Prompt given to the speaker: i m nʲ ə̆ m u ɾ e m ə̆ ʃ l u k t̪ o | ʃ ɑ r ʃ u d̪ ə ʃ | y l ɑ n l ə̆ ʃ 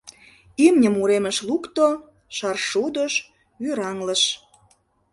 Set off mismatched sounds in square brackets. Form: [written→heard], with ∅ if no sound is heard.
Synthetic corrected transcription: i m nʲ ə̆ m u ɾ e m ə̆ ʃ l u k t̪ o | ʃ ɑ r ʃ u d̪ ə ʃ | y [l→ɾ] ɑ [n→ŋ] l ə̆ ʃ